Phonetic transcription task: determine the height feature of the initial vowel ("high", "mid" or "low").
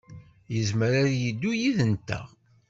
mid